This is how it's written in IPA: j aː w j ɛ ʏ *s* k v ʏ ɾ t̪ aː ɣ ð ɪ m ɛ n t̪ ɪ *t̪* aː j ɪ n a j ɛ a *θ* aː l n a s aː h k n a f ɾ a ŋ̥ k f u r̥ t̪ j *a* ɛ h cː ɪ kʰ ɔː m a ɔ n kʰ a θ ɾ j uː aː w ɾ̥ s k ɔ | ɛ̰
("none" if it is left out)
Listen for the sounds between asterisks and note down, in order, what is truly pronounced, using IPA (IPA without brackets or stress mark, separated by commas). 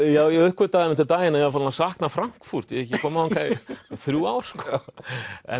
h, t̪, f, ɛ